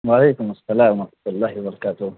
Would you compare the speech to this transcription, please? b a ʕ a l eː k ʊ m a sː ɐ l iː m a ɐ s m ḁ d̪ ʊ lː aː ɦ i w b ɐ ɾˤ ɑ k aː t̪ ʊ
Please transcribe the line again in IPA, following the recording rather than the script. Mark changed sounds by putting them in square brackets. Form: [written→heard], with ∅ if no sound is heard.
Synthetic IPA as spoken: [b→w] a ʕ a l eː k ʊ m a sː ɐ l [iː→aː] m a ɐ [s→ħ] m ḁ [d̪→t̪] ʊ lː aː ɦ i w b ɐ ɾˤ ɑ k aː t̪ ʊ